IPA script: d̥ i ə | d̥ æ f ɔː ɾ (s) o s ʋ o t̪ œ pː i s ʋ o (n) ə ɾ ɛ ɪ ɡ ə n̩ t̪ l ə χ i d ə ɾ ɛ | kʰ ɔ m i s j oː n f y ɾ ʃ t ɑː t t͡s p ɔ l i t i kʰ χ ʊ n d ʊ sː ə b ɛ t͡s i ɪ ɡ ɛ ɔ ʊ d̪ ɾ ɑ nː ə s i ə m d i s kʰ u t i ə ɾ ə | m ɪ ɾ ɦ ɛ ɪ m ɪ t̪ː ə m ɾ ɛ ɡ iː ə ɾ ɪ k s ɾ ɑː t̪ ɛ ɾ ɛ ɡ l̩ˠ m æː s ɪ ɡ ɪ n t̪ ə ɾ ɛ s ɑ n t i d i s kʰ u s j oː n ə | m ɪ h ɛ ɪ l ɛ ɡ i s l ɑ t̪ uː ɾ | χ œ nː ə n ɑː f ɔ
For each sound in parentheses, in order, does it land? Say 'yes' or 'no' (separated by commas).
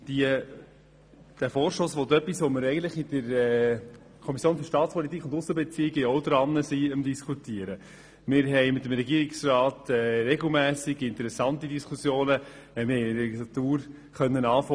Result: no, no